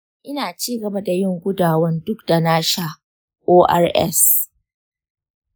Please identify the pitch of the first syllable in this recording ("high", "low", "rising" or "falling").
high